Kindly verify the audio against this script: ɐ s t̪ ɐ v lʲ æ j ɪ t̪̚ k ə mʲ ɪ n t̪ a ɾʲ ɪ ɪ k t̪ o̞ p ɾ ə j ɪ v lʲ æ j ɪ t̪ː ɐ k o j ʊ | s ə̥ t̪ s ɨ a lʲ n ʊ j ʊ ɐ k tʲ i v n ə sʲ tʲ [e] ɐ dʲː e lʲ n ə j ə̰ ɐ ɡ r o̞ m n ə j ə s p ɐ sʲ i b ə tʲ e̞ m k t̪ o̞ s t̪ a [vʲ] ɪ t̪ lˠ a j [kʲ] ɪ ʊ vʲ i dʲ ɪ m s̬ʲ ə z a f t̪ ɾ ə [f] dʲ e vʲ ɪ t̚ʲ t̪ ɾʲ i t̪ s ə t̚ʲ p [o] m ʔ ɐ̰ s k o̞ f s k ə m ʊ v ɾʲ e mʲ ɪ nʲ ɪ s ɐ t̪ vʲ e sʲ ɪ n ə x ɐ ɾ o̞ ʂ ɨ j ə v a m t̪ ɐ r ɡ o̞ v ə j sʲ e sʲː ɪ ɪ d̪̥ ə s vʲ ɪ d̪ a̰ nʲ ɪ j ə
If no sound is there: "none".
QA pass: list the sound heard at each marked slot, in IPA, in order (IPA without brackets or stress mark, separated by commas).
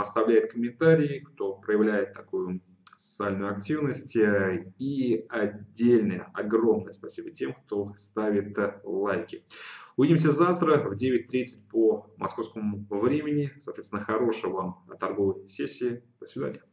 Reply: i, vʲ, kʲ, v, o